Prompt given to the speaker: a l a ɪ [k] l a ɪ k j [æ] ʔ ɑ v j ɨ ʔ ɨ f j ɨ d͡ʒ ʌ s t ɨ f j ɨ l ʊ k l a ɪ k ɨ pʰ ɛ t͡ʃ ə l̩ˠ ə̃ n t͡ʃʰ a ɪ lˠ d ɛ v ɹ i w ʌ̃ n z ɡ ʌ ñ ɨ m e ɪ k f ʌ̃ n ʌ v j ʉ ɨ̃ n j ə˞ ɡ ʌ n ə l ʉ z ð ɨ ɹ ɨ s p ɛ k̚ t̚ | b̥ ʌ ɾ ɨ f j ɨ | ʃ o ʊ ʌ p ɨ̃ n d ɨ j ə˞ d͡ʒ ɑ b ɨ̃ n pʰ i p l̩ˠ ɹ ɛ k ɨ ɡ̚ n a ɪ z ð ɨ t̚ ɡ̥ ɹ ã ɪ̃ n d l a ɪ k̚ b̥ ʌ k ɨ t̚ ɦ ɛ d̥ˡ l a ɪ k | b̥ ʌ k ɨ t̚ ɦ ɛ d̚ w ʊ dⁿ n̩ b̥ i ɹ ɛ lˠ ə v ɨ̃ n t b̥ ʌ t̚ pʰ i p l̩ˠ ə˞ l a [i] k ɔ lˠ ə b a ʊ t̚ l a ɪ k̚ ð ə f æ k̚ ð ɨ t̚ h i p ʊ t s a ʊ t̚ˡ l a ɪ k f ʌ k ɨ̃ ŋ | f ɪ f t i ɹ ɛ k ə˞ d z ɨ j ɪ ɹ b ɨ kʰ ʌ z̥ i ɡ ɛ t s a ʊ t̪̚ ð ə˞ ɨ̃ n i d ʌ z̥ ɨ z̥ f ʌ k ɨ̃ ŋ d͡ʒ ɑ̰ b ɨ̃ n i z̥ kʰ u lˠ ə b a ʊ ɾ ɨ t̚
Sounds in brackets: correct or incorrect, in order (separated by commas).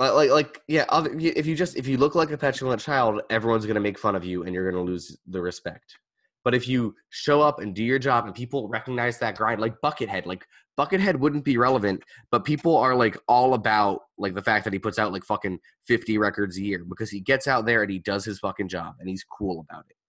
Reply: correct, correct, incorrect